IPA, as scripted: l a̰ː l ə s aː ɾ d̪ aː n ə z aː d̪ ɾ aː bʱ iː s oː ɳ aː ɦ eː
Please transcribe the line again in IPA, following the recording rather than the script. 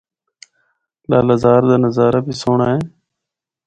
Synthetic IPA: l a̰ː l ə z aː ɾ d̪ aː n ə z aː ɾ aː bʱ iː s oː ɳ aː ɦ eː

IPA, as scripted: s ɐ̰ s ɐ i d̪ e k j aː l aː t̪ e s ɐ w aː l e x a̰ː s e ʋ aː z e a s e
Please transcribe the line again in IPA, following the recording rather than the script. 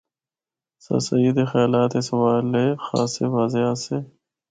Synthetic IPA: s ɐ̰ s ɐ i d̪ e x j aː l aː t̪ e s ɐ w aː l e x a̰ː s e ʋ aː z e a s e

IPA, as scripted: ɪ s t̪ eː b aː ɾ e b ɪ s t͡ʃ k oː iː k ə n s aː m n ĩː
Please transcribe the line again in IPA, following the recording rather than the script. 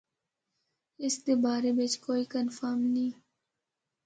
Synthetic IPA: ɪ s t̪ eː b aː ɾ e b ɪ t͡ʃ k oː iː k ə n f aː m n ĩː

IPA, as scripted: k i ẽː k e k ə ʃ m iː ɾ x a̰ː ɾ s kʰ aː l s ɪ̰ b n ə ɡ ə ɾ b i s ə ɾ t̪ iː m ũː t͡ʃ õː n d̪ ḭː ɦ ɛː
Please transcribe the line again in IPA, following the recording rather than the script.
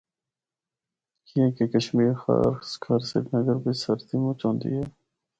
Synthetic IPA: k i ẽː k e k ə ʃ m iː ɾ x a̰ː ɾ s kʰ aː ɾ s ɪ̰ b n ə ɡ ə ɾ b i s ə ɾ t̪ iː m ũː t͡ʃ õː n d̪ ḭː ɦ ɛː

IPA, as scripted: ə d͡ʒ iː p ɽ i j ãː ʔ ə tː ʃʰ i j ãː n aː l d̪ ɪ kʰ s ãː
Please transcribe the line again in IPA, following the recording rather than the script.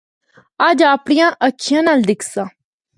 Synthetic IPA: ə d͡ʒ aː p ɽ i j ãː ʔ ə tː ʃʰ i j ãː n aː l d̪ ɪ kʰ s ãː

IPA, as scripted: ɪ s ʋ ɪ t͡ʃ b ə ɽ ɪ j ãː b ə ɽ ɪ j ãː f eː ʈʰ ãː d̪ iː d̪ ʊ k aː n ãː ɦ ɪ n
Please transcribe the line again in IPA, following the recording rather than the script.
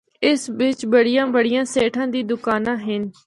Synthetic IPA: ɪ s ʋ ɪ t͡ʃ b ə ɽ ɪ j ãː b ə ɽ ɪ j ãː s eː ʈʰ ãː d̪ iː d̪ ʊ k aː n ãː ɦ ɪ n

